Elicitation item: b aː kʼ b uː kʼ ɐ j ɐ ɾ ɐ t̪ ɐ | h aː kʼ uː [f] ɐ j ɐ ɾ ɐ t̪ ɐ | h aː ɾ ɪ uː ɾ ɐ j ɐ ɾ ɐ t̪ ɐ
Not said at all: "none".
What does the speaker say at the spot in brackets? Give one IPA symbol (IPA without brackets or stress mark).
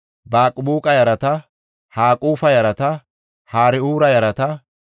f